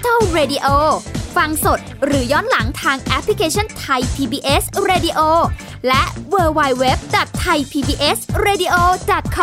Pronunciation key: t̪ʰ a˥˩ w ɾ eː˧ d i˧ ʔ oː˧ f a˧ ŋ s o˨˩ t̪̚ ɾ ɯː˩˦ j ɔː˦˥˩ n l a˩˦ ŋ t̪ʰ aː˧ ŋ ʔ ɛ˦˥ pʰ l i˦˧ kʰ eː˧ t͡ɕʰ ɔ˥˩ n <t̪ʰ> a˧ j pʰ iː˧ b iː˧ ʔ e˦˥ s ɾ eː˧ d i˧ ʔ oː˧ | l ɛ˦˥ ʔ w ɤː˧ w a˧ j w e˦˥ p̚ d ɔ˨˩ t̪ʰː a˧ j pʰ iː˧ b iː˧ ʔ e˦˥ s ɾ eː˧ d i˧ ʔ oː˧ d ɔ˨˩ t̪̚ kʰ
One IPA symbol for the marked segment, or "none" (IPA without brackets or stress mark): t̪ʰ